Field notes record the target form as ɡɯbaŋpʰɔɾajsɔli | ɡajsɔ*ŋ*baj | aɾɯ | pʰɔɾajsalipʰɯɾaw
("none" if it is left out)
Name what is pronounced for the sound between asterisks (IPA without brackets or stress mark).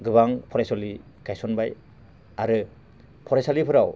n